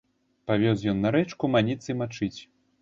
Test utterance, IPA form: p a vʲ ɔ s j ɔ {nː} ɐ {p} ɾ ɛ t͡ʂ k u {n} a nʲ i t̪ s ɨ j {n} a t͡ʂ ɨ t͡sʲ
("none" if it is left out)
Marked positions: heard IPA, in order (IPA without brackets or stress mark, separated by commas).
nː, none, m, m